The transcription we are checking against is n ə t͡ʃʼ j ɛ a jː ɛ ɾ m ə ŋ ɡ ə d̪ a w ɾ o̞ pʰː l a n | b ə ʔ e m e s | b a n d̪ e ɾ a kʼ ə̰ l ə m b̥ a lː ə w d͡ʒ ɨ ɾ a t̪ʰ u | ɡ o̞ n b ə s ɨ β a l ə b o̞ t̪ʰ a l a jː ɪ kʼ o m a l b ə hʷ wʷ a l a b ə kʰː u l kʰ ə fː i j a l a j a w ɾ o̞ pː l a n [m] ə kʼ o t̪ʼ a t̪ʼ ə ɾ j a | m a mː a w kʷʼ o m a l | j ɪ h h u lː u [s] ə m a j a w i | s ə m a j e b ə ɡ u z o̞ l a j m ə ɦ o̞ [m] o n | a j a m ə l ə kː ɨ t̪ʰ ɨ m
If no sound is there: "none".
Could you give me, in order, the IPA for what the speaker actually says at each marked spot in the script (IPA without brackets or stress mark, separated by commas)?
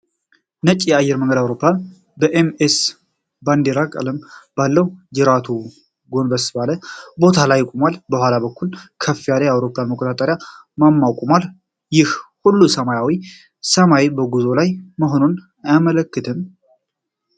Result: m, s, n